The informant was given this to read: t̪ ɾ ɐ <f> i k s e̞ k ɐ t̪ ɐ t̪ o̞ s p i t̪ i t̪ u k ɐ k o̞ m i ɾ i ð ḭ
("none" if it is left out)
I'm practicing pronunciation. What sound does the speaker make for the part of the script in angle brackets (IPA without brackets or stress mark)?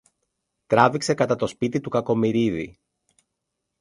v